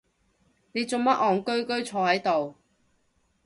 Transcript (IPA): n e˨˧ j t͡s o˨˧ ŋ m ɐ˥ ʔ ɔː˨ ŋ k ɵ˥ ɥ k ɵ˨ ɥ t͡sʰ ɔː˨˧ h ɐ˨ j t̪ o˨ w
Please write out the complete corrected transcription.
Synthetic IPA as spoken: n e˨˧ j t͡s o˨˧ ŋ m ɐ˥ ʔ ɔː˨ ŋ k ɵ˥ ɥ k ɵ˥ ɥ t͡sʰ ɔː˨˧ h ɐ˨˥ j t̪ o˨ w